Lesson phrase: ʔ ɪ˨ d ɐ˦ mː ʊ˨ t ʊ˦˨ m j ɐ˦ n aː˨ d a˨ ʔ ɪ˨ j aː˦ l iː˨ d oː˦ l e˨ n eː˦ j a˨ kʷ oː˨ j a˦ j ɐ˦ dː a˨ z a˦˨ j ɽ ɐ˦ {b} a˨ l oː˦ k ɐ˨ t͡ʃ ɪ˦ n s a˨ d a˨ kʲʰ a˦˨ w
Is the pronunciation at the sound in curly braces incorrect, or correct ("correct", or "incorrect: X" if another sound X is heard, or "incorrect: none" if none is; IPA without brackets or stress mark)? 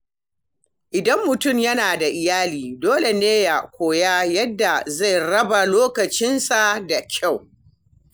correct